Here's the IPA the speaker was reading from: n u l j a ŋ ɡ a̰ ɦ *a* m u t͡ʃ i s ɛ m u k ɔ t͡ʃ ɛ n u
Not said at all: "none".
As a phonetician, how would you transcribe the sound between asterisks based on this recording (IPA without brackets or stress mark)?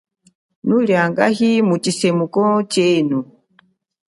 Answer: i